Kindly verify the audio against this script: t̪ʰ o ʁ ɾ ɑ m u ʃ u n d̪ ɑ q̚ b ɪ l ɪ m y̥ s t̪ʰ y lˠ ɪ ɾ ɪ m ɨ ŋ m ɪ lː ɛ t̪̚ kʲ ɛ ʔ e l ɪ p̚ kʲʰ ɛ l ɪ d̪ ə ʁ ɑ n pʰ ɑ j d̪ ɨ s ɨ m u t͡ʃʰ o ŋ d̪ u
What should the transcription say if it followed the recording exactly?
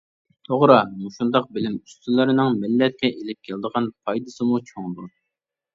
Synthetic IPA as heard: t̪ʰ o ʁ ɾ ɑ m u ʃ u n d̪ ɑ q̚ b ɪ l ɪ m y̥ s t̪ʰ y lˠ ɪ ɾ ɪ n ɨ ŋ m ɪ lː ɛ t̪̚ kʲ ɛ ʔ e l ɪ p̚ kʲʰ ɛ l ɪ d̪ ə ʁ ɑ n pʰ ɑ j d̪ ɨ s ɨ m u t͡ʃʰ o ŋ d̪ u